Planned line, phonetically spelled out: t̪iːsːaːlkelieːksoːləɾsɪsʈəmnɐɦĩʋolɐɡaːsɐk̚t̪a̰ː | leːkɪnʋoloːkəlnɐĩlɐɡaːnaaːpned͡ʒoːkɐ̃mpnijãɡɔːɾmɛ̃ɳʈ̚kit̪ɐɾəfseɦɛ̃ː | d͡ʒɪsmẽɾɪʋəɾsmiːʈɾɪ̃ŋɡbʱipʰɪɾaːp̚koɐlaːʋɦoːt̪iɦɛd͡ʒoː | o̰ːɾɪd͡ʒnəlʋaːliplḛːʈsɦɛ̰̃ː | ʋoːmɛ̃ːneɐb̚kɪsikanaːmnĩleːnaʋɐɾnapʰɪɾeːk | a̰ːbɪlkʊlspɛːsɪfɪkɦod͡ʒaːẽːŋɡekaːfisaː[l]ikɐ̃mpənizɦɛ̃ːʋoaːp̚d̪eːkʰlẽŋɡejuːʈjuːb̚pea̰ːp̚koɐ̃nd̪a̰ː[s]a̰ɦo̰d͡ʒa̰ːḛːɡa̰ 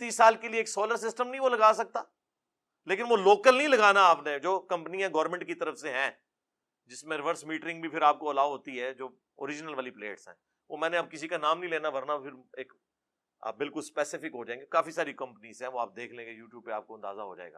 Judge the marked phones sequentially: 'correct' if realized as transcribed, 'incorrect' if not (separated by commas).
incorrect, incorrect